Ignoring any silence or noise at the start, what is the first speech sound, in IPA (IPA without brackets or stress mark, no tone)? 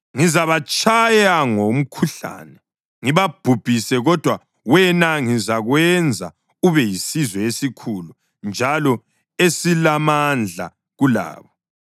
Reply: ŋ